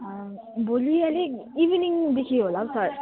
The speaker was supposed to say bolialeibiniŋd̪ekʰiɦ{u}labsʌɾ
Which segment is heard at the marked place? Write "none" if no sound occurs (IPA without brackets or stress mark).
o